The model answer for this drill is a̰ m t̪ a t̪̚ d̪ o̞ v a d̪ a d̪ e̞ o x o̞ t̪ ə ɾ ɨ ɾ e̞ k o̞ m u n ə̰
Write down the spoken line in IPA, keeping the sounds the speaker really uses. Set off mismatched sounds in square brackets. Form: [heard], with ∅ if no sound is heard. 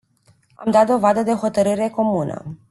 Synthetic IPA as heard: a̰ m [d̪] a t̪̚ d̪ o̞ v a d̪ [ə] d̪ e̞ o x o̞ t̪ ə ɾ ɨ ɾ e̞ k o̞ m u n ə̰